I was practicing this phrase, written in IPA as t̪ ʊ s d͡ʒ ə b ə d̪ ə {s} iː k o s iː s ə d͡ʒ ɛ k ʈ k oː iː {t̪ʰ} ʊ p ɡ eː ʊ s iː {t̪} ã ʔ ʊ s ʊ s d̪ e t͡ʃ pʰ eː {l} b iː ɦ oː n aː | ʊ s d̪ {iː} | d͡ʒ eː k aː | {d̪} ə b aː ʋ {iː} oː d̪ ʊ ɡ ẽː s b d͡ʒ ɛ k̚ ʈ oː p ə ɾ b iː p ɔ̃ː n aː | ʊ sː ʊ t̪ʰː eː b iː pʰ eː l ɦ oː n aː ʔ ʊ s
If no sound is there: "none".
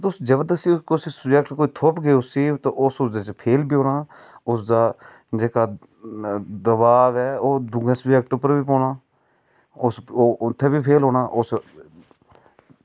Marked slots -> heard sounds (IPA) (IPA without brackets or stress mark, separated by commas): s, t̪ʰ, t̪, l, aː, d̪, ɛː